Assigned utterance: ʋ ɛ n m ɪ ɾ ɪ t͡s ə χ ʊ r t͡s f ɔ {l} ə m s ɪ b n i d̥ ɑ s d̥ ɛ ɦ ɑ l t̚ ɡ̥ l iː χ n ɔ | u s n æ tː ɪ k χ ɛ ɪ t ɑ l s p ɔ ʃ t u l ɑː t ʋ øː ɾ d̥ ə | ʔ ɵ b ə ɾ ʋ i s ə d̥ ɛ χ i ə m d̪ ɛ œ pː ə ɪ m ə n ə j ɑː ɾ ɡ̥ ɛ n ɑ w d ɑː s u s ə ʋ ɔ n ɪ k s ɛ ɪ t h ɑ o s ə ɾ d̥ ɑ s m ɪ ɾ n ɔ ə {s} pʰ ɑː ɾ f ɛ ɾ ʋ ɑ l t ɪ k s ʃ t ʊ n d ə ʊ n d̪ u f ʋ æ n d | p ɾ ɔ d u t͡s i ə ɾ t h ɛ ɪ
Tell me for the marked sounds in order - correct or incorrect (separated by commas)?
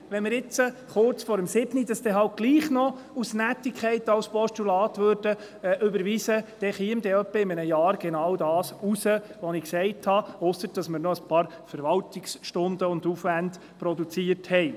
incorrect, correct